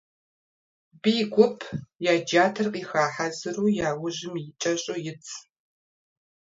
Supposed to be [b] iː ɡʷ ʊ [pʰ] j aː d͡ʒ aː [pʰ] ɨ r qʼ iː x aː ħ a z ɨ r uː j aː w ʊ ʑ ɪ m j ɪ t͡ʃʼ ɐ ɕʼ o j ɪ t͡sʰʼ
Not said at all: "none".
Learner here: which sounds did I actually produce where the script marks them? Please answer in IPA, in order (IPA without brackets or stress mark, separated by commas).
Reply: b, pʰ, tʰ